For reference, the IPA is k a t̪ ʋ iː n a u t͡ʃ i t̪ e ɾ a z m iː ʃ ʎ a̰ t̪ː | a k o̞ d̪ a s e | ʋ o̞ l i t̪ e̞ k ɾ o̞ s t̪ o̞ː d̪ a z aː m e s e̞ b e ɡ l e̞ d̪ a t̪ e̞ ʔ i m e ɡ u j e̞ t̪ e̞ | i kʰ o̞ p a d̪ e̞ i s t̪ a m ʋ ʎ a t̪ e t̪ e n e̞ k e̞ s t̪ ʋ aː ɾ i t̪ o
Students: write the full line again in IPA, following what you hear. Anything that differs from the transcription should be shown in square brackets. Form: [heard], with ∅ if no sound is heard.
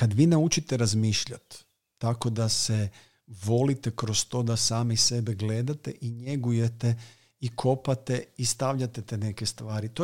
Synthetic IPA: k a [d̪] ʋ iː n a u t͡ʃ i t̪ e ɾ a z m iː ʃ ʎ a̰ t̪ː | a k o̞ d̪ a s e | ʋ o̞ l i t̪ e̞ k ɾ o̞ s t̪ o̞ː d̪ a [s] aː m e s e̞ b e ɡ l e̞ d̪ a t̪ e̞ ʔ i [ɲ] e ɡ u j e̞ t̪ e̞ | i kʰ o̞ p a [t̪] e̞ i s t̪ a [∅] ʋ ʎ a t̪ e t̪ e n e̞ k e̞ s t̪ ʋ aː ɾ i t̪ o